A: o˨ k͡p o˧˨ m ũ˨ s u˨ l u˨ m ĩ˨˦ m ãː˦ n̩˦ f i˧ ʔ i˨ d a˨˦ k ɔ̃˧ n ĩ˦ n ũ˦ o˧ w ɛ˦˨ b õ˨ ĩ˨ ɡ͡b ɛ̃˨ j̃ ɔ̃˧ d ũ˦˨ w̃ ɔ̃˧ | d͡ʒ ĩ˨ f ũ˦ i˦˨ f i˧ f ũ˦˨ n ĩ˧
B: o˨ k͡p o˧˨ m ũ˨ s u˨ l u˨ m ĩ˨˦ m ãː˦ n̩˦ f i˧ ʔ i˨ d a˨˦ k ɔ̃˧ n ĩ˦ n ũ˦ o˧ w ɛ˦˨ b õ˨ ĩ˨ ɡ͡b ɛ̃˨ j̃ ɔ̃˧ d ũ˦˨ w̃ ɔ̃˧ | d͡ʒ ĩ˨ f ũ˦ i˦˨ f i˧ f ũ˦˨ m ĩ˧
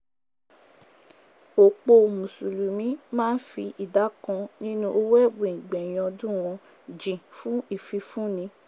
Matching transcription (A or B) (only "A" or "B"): A